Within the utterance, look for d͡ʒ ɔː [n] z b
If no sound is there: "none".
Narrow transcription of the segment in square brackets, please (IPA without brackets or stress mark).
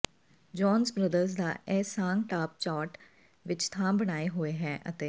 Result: n